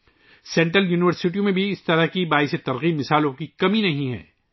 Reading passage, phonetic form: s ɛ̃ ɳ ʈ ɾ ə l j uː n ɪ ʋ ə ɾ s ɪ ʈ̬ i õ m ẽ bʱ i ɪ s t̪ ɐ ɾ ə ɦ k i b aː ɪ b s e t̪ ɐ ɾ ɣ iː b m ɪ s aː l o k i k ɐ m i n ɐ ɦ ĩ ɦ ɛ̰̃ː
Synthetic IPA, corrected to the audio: s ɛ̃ ɳ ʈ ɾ ə l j uː n ɪ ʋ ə ɾ s ɪ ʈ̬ i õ m ẽ bʱ i ɪ s t̪ ɐ ɾ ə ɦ k i b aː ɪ s e t̪ ɐ ɾ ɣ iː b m ɪ s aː l õ k i k ɐ m i n ɐ ɦ ĩ ɦ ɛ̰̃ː